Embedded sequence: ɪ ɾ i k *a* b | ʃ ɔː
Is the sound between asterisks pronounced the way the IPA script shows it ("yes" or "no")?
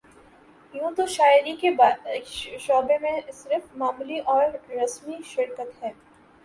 no